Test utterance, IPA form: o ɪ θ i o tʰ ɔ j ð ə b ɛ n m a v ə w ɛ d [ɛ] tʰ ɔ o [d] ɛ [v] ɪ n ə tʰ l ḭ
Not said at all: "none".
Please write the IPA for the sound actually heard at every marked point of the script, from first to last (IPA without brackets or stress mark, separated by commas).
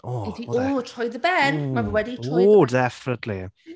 i, d, f